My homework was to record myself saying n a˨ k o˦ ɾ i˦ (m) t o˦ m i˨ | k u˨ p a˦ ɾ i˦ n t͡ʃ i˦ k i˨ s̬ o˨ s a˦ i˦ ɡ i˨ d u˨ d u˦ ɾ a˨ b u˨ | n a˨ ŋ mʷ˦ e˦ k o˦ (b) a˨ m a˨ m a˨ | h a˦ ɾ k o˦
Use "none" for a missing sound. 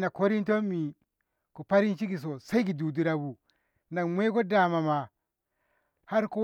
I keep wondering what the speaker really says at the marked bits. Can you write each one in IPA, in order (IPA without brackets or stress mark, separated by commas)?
n, d